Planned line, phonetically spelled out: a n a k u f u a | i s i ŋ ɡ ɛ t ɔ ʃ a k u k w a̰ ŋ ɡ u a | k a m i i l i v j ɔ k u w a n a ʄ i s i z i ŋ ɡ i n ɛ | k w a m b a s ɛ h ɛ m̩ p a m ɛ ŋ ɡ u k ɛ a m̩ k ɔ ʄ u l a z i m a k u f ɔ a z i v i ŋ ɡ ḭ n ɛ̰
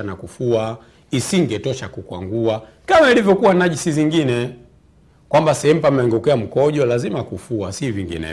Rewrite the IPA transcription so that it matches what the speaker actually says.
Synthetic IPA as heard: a n a k u f u a | i s i ŋ ɡ ɛ t ɔ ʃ a k u k w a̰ ŋ ɡ u a | k a m a i l i v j ɔ k u w a n a ʄ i s i z i ŋ ɡ i n ɛ | k w a m b a s ɛ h ɛ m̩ p a m ɛ ŋ ɡ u k ɛ a m̩ k ɔ ʄ ɔ l a z i m a k u f u a s i v i ŋ ɡ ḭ n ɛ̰